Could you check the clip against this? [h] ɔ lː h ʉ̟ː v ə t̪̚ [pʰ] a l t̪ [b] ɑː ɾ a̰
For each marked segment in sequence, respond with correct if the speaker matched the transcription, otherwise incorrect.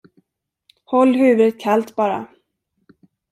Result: correct, incorrect, correct

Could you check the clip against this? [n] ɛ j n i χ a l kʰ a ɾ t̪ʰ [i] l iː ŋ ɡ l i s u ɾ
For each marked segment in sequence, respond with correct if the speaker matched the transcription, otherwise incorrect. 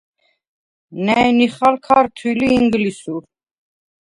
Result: correct, correct

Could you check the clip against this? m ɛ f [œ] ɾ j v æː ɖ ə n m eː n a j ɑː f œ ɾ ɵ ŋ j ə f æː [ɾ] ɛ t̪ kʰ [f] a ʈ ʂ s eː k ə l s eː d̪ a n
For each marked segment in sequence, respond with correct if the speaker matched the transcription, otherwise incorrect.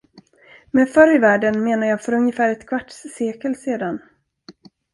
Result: correct, correct, incorrect

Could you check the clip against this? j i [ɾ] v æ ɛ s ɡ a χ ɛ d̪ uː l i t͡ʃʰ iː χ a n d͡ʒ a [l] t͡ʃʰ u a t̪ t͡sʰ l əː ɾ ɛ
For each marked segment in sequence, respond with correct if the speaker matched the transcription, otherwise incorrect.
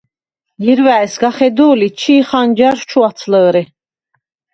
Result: correct, incorrect

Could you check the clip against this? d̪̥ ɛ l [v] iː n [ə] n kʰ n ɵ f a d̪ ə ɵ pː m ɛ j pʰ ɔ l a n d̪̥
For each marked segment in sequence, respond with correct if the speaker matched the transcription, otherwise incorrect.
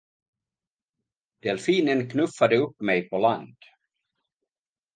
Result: incorrect, correct

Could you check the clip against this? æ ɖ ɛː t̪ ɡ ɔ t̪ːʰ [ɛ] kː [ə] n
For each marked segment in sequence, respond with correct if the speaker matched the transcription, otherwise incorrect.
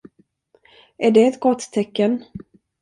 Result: correct, correct

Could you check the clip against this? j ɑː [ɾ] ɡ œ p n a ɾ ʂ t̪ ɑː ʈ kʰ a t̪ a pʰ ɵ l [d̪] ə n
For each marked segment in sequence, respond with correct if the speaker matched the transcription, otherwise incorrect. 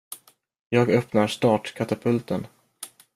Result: incorrect, incorrect

